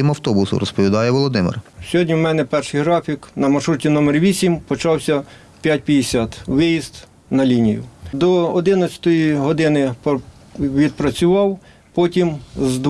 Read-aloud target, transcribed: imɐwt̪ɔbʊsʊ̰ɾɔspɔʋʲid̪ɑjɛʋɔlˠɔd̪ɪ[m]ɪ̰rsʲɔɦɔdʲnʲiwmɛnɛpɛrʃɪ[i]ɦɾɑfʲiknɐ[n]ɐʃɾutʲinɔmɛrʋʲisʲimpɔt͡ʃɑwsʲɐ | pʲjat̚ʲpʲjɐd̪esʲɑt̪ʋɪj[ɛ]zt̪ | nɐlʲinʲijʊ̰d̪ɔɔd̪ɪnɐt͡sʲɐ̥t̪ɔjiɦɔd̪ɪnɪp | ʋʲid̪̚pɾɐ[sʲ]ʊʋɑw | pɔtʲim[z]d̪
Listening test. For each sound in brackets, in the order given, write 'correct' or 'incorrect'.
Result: correct, incorrect: j, incorrect: m, incorrect: i, incorrect: t͡sʲ, correct

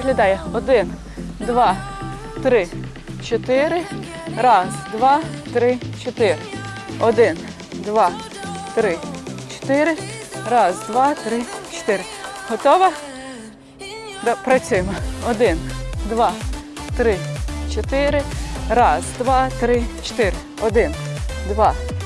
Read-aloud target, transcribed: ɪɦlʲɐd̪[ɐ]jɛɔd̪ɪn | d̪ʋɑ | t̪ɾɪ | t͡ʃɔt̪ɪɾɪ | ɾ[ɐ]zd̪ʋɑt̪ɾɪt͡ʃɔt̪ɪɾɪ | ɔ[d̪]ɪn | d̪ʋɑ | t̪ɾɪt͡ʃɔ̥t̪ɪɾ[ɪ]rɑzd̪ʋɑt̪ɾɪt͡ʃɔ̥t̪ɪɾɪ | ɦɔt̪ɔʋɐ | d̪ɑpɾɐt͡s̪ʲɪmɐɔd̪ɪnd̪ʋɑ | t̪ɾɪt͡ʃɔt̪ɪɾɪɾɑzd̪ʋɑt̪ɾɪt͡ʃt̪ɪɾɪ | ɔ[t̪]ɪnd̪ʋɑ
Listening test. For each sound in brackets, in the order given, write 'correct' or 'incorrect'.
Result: incorrect: ɑ, incorrect: ɑ, correct, correct, incorrect: d̪

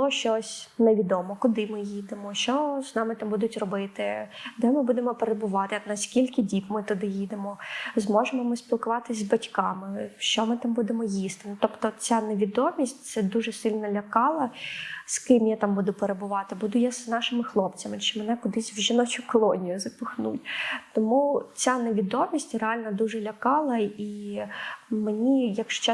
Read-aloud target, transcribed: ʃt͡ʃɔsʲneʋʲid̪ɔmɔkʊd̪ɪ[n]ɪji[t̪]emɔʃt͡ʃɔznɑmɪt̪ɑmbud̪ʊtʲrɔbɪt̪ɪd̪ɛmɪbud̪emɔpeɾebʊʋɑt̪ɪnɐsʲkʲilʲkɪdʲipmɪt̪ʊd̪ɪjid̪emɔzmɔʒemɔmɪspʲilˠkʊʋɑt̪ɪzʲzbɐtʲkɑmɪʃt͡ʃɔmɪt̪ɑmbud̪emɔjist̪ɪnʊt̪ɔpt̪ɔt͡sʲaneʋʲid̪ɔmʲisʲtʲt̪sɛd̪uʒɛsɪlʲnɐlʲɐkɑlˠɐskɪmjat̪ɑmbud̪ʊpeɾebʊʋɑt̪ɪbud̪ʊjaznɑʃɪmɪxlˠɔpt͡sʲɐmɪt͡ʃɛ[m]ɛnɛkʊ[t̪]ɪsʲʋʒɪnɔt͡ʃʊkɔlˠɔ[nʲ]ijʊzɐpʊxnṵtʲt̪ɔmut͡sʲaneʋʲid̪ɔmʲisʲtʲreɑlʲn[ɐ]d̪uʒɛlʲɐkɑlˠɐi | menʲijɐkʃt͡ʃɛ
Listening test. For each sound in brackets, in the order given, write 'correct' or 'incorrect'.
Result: incorrect: m, incorrect: d̪, correct, incorrect: d̪, correct, correct

